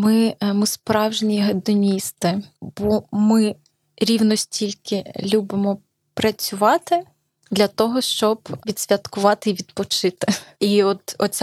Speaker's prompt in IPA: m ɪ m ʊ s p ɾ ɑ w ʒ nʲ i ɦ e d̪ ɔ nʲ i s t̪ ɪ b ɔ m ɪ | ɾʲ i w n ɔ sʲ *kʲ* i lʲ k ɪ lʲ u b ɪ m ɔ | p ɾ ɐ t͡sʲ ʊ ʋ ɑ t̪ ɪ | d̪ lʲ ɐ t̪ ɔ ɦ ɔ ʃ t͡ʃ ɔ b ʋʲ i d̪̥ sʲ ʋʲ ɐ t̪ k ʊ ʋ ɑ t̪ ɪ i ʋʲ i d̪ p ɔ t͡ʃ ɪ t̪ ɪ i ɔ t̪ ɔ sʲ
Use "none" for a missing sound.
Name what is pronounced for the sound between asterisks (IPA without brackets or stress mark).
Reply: tʲ